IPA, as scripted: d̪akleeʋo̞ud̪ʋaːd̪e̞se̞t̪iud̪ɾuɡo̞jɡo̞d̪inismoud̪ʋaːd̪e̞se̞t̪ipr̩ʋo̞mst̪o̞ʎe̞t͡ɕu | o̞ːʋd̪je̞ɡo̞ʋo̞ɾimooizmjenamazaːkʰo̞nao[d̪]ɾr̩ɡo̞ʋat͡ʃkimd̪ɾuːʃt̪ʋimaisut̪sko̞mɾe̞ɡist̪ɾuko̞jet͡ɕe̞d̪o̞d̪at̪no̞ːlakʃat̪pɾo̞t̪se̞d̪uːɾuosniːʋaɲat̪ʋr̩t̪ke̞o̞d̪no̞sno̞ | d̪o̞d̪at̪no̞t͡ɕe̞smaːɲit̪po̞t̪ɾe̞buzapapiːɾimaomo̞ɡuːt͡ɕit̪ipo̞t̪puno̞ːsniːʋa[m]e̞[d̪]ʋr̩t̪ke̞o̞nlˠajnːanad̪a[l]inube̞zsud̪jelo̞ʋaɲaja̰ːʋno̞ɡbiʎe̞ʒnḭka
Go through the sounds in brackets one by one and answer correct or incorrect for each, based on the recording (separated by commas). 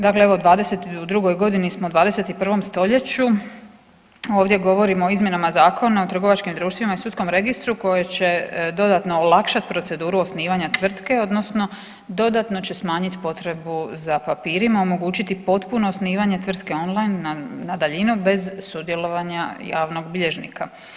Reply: incorrect, incorrect, incorrect, incorrect